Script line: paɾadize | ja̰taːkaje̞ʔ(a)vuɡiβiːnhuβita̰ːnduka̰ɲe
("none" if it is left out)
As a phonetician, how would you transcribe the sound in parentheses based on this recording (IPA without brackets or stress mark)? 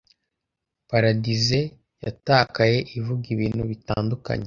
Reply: i